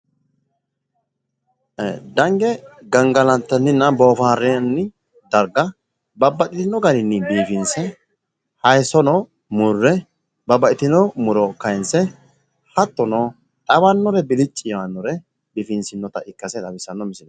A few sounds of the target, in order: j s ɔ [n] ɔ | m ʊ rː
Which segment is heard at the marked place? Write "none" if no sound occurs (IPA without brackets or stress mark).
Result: n